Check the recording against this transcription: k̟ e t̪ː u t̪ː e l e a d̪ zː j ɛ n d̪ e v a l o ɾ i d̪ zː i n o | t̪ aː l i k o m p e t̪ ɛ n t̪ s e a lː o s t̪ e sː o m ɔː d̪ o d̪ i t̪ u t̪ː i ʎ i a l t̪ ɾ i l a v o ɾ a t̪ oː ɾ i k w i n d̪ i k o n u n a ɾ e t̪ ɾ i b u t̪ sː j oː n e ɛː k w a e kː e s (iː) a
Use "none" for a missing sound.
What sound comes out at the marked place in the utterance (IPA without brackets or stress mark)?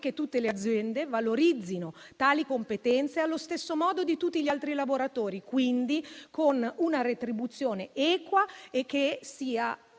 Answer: iː